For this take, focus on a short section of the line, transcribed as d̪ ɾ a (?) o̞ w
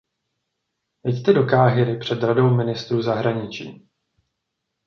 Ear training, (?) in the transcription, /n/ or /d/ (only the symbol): d